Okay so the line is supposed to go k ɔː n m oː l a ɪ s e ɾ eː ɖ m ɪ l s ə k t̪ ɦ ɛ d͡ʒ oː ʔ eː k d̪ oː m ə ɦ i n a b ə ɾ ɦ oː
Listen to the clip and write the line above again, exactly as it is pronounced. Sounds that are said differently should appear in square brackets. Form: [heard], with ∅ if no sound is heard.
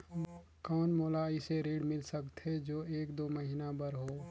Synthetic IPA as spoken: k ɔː n m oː l a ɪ s e ɾ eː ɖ m ɪ l s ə k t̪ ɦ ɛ d͡ʒ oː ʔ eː k d̪ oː m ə ɦ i n a b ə ɾ ɦ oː